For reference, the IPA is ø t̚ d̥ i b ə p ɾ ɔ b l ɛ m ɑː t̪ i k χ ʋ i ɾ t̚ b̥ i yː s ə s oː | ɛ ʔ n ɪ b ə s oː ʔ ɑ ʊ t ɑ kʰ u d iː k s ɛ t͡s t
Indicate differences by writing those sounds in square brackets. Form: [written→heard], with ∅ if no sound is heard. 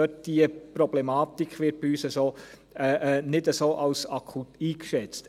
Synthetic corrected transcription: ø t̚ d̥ i [b→∅] ə p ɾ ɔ b l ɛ m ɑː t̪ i k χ ʋ [i→ɪ] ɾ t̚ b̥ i yː s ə s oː | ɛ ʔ n ɪ [b→d] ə s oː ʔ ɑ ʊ [t→s] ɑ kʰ u [d→t] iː k [s→ʃ] ɛ t͡s t